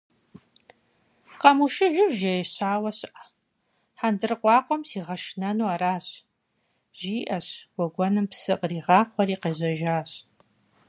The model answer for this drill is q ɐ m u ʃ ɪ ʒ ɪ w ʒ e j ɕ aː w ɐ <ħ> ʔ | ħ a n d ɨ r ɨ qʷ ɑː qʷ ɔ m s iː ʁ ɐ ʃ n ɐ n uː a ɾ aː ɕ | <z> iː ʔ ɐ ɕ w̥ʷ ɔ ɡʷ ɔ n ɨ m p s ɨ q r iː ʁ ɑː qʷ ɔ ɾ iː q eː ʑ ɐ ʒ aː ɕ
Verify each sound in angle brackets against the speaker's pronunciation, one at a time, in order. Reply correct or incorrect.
incorrect: ɕ, incorrect: ʒ

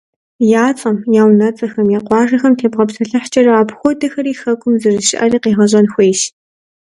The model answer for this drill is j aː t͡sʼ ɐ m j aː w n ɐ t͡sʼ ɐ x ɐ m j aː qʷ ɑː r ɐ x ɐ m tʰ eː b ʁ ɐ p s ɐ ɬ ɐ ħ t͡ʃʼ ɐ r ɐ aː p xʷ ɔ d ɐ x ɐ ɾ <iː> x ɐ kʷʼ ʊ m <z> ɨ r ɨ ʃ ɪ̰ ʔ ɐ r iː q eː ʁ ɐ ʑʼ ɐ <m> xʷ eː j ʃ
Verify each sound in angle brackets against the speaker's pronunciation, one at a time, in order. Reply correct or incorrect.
correct, correct, incorrect: n

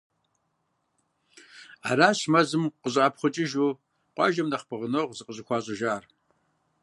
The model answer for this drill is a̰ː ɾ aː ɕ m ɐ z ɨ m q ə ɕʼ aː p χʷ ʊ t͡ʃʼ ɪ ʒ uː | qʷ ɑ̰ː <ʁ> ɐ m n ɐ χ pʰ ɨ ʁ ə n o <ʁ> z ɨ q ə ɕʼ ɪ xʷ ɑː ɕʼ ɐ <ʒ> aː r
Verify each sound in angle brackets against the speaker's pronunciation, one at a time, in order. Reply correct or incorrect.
incorrect: ʒ, correct, correct

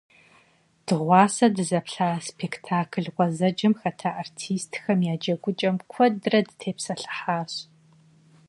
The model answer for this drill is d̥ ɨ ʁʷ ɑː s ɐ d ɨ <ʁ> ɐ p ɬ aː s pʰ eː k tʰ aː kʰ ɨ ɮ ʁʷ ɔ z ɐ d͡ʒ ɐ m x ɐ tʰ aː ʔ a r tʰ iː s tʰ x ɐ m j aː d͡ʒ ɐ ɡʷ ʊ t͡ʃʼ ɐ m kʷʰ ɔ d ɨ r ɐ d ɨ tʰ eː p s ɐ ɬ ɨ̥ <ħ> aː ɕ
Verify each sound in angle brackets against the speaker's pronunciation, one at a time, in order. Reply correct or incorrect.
incorrect: z, correct

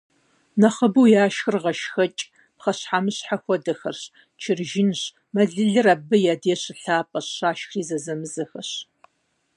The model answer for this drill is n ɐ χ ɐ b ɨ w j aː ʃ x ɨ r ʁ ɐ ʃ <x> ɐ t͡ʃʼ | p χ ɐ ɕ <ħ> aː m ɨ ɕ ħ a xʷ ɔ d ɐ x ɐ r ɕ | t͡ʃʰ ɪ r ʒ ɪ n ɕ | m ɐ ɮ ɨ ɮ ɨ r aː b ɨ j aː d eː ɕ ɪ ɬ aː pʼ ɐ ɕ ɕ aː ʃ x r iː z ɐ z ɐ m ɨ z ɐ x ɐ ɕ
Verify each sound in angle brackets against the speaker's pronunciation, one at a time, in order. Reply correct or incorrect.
correct, correct

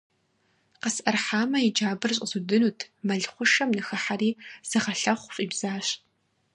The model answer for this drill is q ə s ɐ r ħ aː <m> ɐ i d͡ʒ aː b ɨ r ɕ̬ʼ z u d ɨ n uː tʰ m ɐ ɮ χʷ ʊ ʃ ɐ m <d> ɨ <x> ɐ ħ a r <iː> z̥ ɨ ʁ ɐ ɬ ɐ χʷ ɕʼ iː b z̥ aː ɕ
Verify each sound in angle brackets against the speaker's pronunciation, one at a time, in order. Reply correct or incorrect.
correct, incorrect: n, correct, correct

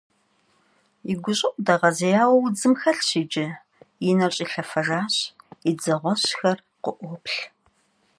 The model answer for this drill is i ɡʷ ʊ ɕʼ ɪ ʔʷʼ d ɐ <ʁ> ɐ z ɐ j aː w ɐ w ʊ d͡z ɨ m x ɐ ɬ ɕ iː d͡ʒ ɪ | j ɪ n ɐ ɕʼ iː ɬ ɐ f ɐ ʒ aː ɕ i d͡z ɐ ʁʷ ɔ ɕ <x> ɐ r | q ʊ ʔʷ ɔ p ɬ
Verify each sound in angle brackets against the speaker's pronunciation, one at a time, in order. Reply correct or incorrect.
correct, correct

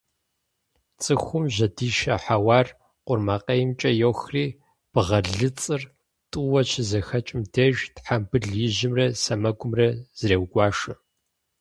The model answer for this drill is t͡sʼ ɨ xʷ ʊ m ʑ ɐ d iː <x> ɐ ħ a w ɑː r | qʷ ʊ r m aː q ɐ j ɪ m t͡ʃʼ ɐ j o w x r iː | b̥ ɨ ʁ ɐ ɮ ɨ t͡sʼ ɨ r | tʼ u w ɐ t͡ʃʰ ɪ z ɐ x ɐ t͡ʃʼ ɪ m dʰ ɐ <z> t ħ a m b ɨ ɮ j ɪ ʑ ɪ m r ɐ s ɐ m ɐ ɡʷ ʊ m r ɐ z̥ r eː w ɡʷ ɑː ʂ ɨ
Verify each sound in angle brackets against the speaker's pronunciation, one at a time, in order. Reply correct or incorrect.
incorrect: ʃ, incorrect: ʒ

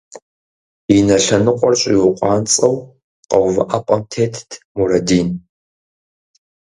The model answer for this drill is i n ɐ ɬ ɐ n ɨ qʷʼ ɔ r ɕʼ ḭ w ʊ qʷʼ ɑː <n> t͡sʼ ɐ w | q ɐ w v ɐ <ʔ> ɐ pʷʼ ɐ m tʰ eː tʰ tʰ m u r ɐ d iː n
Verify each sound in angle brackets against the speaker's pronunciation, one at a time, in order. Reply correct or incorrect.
correct, correct

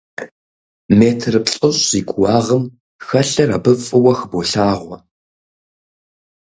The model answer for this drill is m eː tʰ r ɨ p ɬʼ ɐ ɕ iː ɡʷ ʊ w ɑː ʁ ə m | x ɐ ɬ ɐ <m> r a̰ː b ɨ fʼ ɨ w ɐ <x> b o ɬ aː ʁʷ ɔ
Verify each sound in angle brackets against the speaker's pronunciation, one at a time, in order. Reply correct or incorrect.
incorrect: none, correct

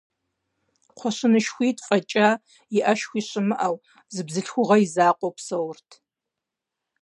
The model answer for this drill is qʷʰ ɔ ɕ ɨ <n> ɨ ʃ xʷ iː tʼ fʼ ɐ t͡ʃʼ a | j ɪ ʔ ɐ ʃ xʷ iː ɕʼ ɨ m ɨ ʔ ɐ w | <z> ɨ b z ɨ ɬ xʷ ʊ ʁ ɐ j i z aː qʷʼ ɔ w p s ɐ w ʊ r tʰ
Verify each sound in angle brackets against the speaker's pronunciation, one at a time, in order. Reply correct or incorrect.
correct, correct

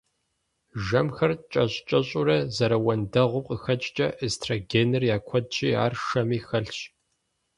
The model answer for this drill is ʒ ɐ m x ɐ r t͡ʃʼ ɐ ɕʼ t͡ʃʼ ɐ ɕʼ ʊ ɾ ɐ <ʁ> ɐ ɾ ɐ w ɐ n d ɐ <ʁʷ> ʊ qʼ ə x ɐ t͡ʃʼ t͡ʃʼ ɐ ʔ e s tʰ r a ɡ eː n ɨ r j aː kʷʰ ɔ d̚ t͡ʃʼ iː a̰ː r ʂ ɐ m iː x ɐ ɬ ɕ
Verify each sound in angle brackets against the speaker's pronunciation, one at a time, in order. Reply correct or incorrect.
incorrect: z, correct

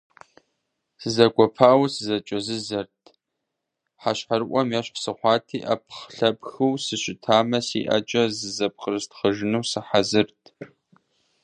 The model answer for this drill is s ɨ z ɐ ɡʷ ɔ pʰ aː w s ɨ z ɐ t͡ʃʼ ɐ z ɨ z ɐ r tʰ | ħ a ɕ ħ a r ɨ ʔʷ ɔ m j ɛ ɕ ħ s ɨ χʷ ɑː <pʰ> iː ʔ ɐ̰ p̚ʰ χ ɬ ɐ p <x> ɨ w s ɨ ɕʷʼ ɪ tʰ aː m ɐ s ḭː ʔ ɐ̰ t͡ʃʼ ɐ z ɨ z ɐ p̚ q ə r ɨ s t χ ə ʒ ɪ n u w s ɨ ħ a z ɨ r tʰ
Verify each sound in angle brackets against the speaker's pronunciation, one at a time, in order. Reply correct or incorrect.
incorrect: tʰ, correct

